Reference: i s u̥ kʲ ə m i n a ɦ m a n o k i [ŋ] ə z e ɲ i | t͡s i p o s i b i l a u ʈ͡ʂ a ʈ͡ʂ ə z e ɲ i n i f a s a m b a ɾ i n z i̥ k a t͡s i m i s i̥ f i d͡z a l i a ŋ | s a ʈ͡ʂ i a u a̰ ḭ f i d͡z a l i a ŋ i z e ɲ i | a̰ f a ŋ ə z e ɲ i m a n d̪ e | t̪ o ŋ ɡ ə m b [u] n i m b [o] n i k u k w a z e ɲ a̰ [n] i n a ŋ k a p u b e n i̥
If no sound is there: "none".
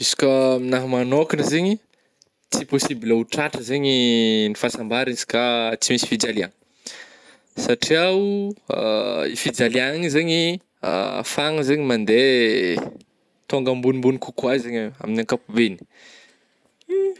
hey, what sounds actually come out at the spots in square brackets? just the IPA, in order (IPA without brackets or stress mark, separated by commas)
n, u, u, m